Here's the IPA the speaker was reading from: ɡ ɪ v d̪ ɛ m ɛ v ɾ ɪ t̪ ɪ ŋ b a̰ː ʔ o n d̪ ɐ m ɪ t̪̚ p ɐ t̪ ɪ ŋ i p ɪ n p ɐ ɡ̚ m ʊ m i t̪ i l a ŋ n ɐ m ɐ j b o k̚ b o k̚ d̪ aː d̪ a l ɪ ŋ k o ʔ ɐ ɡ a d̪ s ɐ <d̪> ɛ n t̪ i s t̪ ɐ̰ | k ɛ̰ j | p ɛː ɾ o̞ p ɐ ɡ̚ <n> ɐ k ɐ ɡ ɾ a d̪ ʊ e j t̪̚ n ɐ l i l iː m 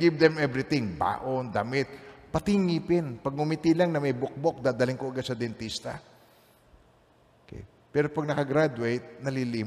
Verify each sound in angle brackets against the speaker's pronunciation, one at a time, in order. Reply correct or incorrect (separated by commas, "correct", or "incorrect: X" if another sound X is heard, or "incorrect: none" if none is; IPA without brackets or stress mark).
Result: correct, correct